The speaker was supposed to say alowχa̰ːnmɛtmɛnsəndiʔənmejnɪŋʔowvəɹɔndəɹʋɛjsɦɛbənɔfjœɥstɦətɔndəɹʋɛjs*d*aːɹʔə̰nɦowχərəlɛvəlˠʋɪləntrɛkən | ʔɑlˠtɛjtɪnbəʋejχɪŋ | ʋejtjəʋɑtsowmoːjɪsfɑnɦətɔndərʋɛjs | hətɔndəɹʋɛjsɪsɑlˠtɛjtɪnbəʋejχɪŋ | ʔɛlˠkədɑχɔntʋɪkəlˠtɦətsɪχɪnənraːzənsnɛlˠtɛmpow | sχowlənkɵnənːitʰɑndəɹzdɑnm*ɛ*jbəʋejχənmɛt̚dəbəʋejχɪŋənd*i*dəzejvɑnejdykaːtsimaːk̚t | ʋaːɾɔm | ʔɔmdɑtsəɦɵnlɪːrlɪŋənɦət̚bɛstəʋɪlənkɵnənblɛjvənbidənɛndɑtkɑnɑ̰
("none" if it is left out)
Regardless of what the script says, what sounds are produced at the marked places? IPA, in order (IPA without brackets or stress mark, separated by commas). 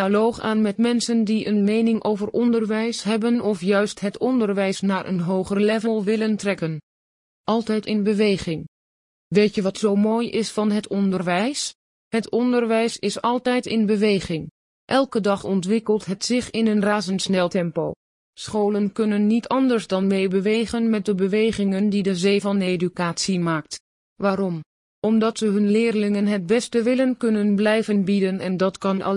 n, e, i